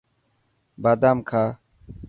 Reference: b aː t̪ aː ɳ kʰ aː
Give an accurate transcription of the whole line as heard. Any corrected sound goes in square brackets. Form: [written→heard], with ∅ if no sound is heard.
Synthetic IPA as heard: b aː [t̪→d̪] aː [ɳ→m] kʰ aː